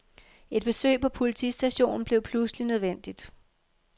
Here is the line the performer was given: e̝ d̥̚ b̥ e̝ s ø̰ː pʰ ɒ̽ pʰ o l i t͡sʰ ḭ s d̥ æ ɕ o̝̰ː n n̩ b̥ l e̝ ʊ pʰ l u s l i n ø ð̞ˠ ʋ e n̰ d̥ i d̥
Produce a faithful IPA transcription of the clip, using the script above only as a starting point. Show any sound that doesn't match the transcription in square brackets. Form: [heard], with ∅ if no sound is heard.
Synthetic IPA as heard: e̝ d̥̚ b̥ e̝ s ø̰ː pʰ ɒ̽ pʰ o l i t͡sʰ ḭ s d̥ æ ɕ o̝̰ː n n̩ b̥ l e̝ ʊ pʰ l u s l i n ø ð̞ˠ ʋ e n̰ d̥ i d̥